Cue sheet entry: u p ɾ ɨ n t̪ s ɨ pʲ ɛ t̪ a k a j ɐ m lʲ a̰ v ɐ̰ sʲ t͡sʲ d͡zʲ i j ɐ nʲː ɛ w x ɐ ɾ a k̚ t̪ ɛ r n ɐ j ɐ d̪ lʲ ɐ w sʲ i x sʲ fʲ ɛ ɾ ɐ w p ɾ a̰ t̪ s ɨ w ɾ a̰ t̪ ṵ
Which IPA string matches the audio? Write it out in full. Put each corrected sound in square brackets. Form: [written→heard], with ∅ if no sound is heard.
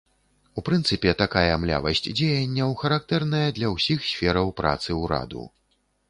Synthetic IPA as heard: u p ɾ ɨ n t̪ s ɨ pʲ ɛ t̪ a k a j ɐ m lʲ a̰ v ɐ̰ sʲ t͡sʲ d͡zʲ [i→e] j ɐ nʲː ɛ w x ɐ ɾ a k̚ t̪ ɛ r n ɐ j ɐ d̪ lʲ ɐ w sʲ i x sʲ fʲ ɛ ɾ ɐ w p ɾ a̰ t̪ s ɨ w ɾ a̰ [t̪→d̪] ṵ